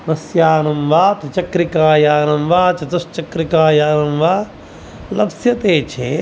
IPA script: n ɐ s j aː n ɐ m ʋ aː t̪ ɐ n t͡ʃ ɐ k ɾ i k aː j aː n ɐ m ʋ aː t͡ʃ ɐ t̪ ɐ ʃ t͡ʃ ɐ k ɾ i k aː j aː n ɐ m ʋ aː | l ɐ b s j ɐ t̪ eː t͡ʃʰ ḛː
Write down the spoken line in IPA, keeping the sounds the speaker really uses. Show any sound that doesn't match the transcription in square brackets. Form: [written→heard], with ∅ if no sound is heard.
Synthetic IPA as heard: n ɐ s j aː n ɐ m ʋ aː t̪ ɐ [n→∅] t͡ʃ ɐ k ɾ i k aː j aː n ɐ m ʋ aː t͡ʃ ɐ t̪ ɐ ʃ t͡ʃ ɐ k ɾ i k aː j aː n ɐ m ʋ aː | l ɐ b s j ɐ t̪ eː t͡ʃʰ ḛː